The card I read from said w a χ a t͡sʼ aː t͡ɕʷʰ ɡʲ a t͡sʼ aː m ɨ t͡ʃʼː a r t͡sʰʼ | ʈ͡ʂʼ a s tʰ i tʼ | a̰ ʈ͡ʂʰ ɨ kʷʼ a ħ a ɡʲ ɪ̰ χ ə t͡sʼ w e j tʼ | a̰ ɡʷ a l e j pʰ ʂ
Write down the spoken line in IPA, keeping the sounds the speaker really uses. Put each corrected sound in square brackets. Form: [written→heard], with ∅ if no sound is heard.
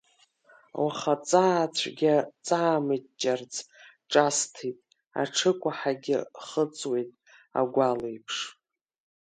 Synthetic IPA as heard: w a χ a t͡sʼ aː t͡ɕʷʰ ɡʲ a t͡sʼ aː m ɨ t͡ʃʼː a r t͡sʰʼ | ʈ͡ʂʼ a s tʰ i tʼ | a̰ ʈ͡ʂʰ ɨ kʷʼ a ħ a ɡʲ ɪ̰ χ ə t͡sʼ w e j tʼ | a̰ ɡʷ a l e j pʰ ʂ